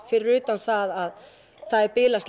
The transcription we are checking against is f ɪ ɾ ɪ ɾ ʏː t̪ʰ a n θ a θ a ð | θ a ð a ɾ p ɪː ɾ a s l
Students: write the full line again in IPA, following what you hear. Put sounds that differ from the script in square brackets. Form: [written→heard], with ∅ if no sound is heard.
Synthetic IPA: f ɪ ɾ ɪ ɾ ʏː [t̪ʰ→t̪] a n θ a [θ→ð] a ð | θ a ð [a→ɛ] ɾ p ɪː [ɾ→l] a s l